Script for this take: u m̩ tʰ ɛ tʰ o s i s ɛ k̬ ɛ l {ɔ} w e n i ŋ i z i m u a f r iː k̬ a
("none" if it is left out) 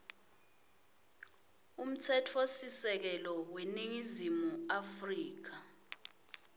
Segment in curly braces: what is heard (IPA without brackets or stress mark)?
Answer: ɔ